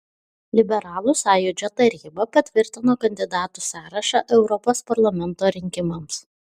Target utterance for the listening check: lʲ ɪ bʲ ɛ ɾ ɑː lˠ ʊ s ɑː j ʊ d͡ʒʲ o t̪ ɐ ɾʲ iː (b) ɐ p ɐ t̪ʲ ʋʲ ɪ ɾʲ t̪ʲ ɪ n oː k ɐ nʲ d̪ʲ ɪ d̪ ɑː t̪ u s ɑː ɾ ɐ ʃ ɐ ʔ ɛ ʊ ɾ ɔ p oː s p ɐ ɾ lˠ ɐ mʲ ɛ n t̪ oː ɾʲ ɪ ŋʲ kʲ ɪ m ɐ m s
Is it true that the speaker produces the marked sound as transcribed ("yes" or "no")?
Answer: yes